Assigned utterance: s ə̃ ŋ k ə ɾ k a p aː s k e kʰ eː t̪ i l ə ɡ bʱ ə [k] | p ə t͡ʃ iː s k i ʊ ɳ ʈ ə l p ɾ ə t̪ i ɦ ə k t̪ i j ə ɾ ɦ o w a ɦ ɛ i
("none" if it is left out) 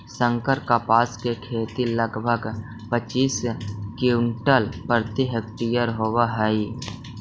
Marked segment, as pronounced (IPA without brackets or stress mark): ɡ